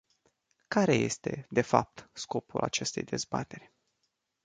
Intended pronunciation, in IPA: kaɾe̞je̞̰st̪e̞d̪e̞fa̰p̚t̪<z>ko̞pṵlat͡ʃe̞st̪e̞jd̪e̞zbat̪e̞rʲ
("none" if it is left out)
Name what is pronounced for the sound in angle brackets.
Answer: s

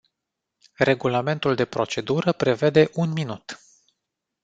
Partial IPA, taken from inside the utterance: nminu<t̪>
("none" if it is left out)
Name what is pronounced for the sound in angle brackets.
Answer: t̪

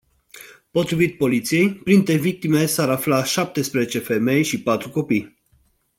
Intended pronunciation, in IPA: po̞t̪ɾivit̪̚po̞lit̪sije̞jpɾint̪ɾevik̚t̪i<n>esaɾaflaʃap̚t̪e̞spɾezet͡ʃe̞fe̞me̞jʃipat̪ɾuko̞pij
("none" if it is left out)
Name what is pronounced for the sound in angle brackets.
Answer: m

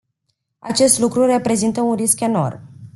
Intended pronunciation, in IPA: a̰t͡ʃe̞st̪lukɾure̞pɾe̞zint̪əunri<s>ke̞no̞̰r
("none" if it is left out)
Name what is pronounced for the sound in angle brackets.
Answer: s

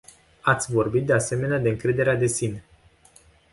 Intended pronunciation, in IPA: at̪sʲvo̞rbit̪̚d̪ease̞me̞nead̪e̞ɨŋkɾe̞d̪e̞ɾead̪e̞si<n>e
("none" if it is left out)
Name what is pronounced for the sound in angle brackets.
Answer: n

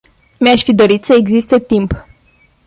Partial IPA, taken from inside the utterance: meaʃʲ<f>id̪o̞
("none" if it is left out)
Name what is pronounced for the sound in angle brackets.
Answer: f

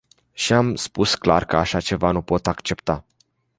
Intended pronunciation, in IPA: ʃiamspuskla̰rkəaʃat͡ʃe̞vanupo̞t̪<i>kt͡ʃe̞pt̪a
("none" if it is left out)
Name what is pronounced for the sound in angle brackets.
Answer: a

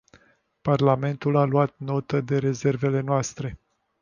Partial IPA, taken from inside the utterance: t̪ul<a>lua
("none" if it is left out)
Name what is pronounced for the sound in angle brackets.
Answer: a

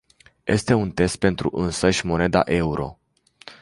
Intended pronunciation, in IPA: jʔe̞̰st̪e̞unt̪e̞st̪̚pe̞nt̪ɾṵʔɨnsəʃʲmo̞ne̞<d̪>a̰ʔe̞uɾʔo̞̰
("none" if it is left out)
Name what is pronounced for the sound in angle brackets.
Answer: d̪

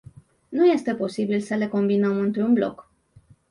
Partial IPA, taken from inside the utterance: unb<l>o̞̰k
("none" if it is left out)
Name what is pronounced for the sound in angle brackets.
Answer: l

